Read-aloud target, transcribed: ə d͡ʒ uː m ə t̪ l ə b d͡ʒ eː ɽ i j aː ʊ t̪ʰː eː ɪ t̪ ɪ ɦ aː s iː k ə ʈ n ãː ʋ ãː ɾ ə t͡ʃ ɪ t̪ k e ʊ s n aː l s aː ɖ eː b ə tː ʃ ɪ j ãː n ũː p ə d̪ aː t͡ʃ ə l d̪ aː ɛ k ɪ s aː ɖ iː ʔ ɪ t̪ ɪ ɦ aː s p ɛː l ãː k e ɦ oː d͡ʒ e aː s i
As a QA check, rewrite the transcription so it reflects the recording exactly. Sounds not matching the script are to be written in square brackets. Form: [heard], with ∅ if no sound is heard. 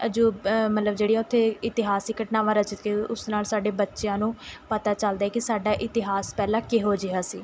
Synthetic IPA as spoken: ə d͡ʒ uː m ə t̪ l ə b d͡ʒ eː ɽ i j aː ʊ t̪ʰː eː ɪ t̪ ɪ ɦ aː s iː k ə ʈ n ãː ʋ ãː ɾ ə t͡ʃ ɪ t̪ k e ʊ s n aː l s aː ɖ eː b ə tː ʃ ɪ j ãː n ũː p ə [t̪] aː t͡ʃ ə l d̪ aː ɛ k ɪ s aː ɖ [aː] ʔ ɪ t̪ ɪ ɦ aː s p ɛː l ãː k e ɦ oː d͡ʒ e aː s [iː]